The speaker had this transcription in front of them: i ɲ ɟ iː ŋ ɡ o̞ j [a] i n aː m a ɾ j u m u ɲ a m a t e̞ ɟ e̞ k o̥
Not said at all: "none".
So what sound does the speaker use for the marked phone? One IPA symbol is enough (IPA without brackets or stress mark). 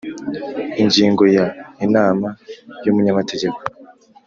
a